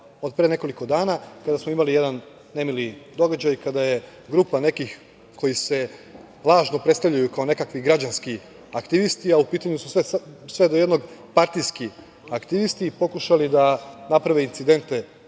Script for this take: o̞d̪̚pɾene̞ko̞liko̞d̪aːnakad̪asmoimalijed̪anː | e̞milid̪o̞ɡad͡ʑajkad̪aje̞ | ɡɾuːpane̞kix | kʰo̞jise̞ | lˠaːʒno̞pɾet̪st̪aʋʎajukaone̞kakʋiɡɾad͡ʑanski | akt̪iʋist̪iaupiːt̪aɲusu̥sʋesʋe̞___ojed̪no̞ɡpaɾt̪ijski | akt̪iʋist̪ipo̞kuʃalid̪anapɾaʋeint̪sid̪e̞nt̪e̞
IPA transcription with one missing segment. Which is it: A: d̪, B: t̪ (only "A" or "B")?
A